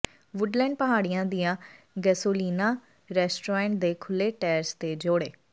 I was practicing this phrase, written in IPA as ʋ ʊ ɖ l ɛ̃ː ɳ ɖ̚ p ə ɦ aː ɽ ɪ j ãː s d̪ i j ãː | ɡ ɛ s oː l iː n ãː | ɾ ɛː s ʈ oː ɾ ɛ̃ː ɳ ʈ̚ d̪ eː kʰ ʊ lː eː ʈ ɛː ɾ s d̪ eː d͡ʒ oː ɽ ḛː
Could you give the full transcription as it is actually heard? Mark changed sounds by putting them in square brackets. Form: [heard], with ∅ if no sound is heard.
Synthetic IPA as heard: ʋ ʊ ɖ l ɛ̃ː ɳ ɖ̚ p ə ɦ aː ɽ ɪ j ãː [∅] d̪ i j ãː | ɡ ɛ s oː l iː n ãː | ɾ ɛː s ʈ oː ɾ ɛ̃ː ɳ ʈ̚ d̪ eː kʰ ʊ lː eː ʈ ɛː ɾ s [t̪] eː d͡ʒ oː ɽ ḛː